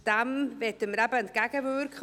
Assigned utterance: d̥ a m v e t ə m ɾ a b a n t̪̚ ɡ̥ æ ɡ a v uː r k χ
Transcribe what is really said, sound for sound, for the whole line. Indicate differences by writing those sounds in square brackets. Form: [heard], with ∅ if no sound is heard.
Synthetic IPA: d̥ a m v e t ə m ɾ a b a n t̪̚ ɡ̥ [a] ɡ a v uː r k χ